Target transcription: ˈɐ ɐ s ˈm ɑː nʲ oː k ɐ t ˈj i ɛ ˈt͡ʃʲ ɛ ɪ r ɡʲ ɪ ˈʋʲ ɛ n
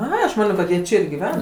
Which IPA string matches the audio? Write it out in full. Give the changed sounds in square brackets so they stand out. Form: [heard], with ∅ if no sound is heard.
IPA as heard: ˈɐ ɐ [ʃ] ˈm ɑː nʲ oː k ɐ t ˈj i ɛ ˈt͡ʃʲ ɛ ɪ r ɡʲ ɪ ˈʋʲ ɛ n

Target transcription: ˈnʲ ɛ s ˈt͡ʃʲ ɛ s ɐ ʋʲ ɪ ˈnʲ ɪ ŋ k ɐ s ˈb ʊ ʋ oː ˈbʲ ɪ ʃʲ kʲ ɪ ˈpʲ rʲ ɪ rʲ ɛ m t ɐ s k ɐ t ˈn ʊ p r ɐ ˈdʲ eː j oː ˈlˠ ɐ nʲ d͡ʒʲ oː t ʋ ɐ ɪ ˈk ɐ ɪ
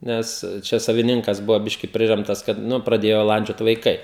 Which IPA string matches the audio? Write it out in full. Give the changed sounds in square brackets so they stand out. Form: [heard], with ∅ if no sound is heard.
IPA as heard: ˈnʲ ɛ s ˈt͡ʃʲ ɛ s ɐ ʋʲ ɪ ˈnʲ ɪ ŋ k ɐ s ˈb ʊ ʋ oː ˈbʲ ɪ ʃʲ kʲ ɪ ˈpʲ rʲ ɪ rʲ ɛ m t ɐ s k ɐ t ˈn ʊ p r ɐ ˈdʲ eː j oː ˈlˠ ɐ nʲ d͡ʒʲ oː t ʋ ɐ ɪ ˈk ɐ ɪ

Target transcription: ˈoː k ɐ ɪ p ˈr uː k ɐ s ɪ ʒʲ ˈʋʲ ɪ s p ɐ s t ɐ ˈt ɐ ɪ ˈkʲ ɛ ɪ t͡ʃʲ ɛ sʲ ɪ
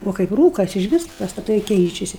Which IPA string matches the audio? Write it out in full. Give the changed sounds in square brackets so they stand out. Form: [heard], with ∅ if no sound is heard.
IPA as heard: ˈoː k ɐ ɪ p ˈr uː k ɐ s ɪ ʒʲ ˈʋʲ ɪ s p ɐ s t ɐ ˈt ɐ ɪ ˈkʲ ɛ ɪ t͡ʃʲ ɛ sʲ ɪ

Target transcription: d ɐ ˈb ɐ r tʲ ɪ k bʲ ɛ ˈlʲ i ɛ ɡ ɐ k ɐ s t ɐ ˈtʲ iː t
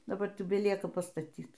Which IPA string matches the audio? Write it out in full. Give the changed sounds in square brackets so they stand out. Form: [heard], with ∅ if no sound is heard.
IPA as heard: d ɐ ˈb ɐ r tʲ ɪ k bʲ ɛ ˈlʲ i ɛ [k] ɐ [p] ɐ s t ɐ ˈtʲ iː t

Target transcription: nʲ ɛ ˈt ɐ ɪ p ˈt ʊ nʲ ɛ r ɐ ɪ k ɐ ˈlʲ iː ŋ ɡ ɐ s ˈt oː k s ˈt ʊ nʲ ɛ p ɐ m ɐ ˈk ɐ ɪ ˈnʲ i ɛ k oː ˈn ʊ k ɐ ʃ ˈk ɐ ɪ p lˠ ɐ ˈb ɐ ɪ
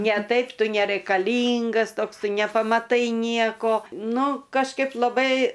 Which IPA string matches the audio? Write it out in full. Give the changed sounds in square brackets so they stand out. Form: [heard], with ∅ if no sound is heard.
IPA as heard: nʲ ɛ ˈt ɐ ɪ p ˈt ʊ nʲ ɛ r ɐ ɪ k ɐ ˈlʲ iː ŋ ɡ ɐ s ˈt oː k s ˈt ʊ nʲ ɛ p ɐ m ɐ [ˈt] ɐ ɪ ˈnʲ i ɛ k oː ˈn ʊ k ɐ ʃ ˈk ɐ ɪ p lˠ ɐ ˈb ɐ ɪ

